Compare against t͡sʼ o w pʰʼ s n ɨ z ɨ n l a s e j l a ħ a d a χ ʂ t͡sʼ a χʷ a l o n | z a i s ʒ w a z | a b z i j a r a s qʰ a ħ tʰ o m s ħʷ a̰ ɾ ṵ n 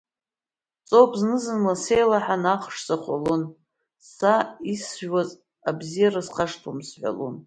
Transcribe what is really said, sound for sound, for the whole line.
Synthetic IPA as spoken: t͡sʼ o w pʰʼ z n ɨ z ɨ n l a s e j l a ħ a n a χ ʂ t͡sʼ a χʷ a l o n | s a i s ʒ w a z | a b z i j a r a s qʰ a ʂ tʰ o m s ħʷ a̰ l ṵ n